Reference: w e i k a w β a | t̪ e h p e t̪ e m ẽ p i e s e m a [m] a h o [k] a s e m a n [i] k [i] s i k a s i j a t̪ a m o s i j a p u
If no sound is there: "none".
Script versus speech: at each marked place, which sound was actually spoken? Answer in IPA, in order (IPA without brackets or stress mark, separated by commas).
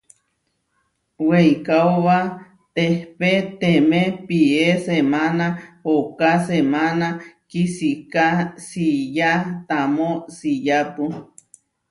n, k, a, i